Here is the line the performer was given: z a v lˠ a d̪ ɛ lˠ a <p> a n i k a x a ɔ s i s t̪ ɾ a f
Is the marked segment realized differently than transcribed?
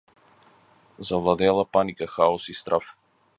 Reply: no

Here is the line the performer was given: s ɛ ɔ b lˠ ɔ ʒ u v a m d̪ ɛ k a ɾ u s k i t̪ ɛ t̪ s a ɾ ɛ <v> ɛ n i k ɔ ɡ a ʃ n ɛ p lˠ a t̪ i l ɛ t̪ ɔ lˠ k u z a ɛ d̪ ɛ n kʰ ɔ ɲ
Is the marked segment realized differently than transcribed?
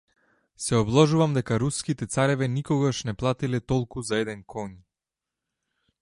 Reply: no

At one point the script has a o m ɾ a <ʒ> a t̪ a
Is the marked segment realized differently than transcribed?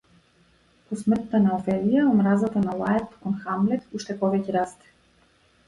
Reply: yes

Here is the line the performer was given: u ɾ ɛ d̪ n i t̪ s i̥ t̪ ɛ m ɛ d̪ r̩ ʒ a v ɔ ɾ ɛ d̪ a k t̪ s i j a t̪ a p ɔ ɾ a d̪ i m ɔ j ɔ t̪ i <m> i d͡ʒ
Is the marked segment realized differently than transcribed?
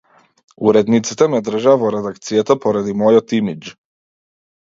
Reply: no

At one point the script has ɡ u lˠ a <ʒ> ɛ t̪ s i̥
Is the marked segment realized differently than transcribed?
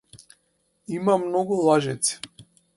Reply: no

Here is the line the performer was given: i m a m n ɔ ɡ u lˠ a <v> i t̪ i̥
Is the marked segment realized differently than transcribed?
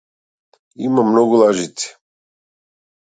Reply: yes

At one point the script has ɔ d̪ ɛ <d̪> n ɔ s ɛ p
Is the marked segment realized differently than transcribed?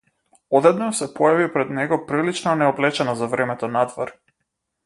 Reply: no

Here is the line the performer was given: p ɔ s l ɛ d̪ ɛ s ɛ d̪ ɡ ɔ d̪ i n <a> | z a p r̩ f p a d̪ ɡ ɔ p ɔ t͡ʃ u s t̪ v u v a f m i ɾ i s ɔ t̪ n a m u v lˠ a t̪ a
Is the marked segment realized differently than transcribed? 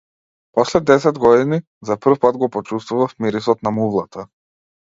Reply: yes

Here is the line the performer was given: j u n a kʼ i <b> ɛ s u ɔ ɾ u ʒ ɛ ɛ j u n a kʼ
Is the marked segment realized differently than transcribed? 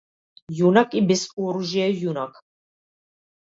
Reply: no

